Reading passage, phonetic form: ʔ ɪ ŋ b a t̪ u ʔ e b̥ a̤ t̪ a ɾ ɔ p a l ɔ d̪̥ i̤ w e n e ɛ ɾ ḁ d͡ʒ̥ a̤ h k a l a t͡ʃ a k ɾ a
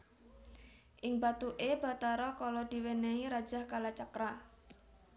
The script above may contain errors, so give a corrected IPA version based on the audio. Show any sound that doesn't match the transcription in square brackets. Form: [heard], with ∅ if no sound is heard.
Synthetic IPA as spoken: ʔ ɪ ŋ b a t̪ u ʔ e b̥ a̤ t̪ a ɾ ɔ [k] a l ɔ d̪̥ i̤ w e n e [i] ɾ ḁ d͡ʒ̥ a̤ h k a l a t͡ʃ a k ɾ a